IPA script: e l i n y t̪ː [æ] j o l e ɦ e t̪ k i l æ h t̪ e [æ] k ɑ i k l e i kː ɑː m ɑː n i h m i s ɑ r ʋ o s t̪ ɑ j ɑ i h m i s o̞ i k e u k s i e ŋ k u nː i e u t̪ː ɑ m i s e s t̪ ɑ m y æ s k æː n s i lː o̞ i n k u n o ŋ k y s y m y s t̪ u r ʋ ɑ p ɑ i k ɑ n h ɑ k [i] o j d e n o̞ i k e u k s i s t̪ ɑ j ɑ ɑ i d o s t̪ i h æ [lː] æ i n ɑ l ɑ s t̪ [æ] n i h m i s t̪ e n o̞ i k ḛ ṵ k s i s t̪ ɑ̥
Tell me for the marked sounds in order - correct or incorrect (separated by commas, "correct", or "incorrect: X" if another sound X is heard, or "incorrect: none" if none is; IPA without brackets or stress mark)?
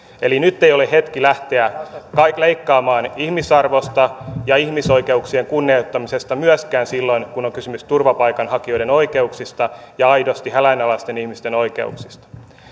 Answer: incorrect: e, correct, correct, incorrect: l, incorrect: e